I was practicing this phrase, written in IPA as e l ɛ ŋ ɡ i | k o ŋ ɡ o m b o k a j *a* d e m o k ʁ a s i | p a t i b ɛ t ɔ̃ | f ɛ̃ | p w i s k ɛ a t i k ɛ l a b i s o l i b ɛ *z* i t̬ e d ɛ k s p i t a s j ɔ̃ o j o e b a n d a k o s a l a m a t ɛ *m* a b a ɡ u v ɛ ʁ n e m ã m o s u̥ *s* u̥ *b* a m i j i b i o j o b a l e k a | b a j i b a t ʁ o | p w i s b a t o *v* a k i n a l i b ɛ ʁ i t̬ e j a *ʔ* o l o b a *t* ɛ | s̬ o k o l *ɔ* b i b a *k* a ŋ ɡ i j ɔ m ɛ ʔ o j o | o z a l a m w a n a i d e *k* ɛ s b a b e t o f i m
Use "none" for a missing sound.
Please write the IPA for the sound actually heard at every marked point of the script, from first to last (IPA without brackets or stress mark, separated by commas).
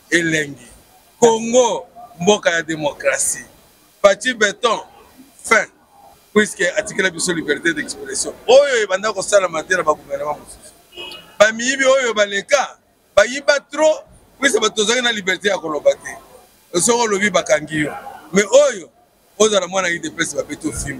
a, ʁ, n, s, b, z, k, t, o, k, p